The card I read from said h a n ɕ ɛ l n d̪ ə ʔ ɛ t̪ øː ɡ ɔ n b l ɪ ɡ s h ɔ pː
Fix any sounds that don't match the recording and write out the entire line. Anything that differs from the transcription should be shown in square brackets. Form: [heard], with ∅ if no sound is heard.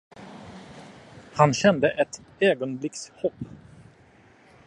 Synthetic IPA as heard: h a n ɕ ɛ [∅] n d̪ ə ʔ ɛ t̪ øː ɡ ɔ n b l ɪ [k] s h ɔ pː